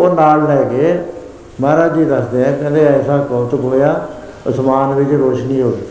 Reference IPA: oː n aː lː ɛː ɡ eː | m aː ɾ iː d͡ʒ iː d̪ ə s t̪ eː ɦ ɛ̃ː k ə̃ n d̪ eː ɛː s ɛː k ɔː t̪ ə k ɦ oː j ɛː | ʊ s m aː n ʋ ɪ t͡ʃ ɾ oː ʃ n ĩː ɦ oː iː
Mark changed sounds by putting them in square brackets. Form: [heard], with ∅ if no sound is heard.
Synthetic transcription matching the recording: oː n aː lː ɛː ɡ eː | m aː ɾ [aː] d͡ʒ iː d̪ ə s [d̪] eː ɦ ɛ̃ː k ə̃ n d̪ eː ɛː s [aː] k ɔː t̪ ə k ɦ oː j [aː] | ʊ s m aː n ʋ ɪ t͡ʃ ɾ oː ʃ n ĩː ɦ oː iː